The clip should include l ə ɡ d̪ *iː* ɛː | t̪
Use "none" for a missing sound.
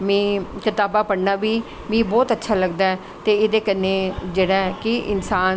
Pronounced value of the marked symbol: aː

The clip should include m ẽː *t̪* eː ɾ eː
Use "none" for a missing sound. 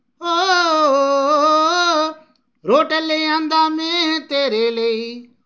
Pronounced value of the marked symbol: t̪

